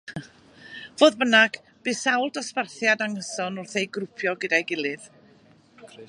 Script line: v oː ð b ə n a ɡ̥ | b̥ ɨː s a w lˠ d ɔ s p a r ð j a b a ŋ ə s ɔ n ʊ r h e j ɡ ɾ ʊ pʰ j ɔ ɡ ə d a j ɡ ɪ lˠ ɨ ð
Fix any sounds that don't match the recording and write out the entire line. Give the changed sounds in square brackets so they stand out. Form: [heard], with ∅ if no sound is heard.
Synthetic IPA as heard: v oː ð b ə n a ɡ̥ | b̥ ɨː s a w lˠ d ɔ s p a r [θ] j a [d] a ŋ ə s ɔ n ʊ r [θ] e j ɡ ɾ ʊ pʰ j ɔ ɡ ə d a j ɡ ɪ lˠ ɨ ð